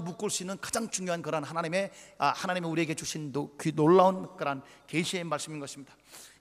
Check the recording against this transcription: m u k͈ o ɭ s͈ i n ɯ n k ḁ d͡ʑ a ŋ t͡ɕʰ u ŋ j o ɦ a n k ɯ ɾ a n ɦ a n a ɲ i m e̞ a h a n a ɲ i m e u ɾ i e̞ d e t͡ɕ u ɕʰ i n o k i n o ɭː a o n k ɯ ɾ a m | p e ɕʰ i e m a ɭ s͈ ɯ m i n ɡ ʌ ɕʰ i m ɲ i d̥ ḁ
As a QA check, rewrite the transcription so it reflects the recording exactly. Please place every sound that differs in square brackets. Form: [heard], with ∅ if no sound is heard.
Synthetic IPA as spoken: m u k͈ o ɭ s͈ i n ɯ n k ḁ d͡ʑ a ŋ [t͡ɕ] u ŋ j o ɦ a n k ɯ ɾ a n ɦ a n a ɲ i m e̞ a h a n a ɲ i m e u ɾ i e̞ [ɡ] e t͡ɕ u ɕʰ i n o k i n o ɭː a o n k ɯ ɾ a [n] | [k] e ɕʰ i e m a ɭ s͈ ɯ m i n ɡ ʌ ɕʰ i m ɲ i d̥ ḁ